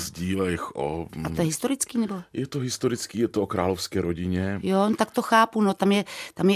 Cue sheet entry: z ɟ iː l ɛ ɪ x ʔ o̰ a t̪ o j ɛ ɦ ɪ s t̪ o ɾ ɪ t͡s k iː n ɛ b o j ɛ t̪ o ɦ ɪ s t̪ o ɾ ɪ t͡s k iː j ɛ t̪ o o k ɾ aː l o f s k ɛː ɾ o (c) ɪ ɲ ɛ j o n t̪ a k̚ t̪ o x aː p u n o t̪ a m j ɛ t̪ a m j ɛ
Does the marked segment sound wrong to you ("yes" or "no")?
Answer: yes